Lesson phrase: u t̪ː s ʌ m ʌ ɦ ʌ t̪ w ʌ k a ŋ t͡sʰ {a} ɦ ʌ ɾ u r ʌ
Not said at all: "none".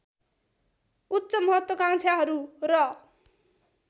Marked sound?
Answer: a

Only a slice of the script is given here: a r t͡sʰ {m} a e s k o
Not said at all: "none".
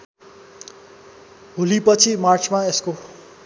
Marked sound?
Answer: m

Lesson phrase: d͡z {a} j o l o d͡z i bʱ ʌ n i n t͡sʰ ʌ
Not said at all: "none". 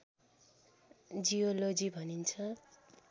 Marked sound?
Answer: i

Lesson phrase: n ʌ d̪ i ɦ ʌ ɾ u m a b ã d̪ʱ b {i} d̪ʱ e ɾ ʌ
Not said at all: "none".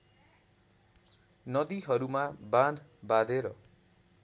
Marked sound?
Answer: a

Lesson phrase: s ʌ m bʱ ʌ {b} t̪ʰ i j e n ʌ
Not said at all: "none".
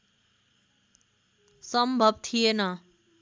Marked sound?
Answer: b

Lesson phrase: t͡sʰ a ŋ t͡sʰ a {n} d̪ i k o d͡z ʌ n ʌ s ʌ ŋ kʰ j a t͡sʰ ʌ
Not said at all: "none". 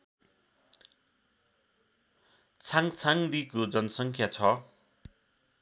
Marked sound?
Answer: ŋ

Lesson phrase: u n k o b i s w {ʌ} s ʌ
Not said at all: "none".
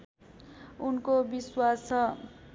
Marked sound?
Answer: a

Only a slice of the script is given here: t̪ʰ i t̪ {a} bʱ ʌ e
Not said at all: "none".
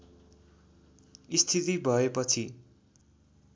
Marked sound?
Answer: i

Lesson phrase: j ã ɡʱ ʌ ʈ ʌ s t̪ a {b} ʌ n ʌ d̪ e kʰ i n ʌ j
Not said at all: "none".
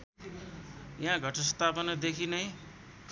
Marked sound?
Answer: p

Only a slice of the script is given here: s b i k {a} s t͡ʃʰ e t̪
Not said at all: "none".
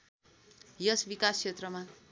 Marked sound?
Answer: a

